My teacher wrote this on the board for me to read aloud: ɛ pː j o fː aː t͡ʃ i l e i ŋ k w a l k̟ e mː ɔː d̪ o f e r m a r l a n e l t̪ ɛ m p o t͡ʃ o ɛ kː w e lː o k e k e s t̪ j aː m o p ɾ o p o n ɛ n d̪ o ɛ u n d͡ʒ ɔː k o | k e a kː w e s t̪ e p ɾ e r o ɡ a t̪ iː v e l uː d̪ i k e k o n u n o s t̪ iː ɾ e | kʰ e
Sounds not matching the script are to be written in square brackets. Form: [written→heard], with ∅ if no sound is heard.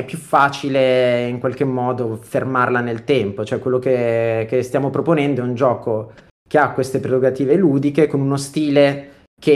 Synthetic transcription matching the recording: ɛ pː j [o→u] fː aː t͡ʃ i l e i ŋ k w a l k̟ e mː ɔː d̪ o f e r m a r l a n e l t̪ ɛ m p o t͡ʃ o ɛ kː w e lː o k e k e s t̪ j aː m o p ɾ o p o n ɛ n d̪ o ɛ u n d͡ʒ ɔː k o | k e a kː w e s t̪ e p ɾ e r o ɡ a t̪ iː v e l uː d̪ i k e k o n u n o s t̪ iː [ɾ→l] e | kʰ e